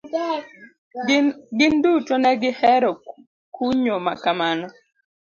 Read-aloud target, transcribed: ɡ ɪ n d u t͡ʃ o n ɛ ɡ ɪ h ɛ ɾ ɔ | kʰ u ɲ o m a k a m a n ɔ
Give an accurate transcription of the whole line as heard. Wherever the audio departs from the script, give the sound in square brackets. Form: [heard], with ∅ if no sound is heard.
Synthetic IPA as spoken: ɡ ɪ n d u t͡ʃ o n ɛ ɡ ɪ h ɛ ɾ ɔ | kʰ u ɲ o m a k a m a n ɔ